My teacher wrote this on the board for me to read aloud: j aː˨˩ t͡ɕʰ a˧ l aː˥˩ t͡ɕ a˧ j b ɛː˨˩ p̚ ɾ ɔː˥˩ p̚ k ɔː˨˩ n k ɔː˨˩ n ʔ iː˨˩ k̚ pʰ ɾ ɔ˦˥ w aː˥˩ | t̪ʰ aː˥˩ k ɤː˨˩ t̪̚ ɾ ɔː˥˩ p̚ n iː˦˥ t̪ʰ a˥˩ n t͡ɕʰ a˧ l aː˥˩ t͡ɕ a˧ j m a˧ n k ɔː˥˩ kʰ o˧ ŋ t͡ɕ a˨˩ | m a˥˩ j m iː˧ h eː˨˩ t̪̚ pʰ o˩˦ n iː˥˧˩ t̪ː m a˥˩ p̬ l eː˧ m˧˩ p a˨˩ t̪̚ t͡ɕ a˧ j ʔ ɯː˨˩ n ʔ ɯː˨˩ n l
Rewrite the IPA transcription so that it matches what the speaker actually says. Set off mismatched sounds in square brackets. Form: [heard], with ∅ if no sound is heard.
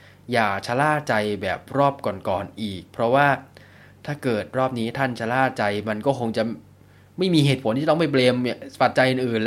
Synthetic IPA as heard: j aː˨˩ t͡ɕʰ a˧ l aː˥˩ t͡ɕ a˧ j b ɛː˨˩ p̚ ɾ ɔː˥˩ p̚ k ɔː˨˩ n k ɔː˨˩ n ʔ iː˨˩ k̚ pʰ ɾ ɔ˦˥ w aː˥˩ | t̪ʰ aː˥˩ k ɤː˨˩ t̪̚ ɾ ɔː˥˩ p̚ n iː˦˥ t̪ʰ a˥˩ n t͡ɕʰ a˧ l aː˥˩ t͡ɕ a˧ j m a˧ n k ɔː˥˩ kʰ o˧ ŋ t͡ɕ a˨˩ | m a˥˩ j m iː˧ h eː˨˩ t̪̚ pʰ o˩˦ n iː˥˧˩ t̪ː m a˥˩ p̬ l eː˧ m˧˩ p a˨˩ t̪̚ t͡ɕ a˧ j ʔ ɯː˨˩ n ʔ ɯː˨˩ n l